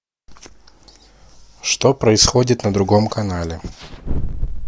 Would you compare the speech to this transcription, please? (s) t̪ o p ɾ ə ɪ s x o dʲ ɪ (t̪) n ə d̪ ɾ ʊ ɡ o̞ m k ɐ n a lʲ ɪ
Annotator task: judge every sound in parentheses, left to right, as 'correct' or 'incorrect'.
incorrect: ʂ, correct

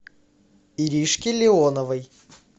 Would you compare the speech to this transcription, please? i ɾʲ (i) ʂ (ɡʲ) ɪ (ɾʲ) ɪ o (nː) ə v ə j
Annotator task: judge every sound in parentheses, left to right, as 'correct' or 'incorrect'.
correct, incorrect: kʲ, incorrect: lʲ, incorrect: n

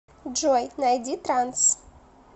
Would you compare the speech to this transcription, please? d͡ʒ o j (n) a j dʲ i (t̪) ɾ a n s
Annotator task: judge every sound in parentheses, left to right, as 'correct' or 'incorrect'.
correct, correct

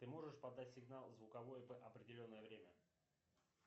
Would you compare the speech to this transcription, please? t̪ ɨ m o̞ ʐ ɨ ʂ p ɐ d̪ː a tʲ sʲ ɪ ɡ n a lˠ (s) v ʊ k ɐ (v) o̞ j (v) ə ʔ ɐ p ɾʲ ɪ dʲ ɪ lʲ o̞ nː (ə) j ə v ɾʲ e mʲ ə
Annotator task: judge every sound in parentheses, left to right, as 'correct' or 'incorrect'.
incorrect: z, correct, correct, correct

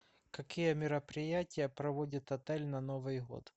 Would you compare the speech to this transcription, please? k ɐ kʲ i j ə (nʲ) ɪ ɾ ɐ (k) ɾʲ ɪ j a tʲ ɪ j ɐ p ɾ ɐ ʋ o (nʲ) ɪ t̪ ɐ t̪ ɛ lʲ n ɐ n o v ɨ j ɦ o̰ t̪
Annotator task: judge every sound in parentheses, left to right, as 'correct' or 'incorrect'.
incorrect: mʲ, incorrect: p, incorrect: dʲ

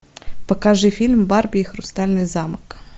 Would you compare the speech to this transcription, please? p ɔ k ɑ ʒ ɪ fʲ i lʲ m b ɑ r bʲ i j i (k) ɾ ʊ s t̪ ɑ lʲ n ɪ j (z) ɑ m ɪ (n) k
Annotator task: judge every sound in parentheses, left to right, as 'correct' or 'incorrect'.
incorrect: x, correct, incorrect: none

